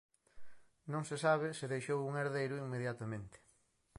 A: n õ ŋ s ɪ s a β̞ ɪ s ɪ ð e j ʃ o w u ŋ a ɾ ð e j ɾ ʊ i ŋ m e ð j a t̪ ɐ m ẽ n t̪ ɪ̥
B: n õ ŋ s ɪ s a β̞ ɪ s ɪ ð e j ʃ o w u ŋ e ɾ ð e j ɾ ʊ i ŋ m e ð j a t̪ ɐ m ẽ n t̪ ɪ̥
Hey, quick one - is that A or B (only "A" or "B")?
B